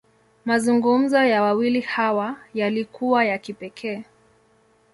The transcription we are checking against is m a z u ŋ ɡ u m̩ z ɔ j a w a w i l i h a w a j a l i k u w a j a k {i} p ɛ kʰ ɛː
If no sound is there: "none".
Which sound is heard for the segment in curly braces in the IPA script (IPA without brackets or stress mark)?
i